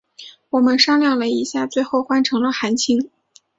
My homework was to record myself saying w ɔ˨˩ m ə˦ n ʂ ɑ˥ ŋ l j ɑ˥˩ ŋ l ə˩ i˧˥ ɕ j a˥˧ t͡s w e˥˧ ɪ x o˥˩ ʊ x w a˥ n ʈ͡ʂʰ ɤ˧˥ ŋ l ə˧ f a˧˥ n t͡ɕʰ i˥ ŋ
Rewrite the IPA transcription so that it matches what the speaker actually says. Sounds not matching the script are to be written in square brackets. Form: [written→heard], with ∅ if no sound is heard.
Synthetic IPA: w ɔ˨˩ m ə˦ n ʂ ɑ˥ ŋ l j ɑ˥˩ ŋ l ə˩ i˧˥ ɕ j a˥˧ t͡s w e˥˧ ɪ x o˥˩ ʊ x w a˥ n ʈ͡ʂʰ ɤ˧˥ ŋ l ə˧ [f→x] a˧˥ n t͡ɕʰ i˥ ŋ